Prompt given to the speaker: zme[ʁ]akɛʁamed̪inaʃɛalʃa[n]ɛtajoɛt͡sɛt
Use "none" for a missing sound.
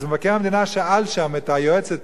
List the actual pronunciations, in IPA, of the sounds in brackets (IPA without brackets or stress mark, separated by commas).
v, m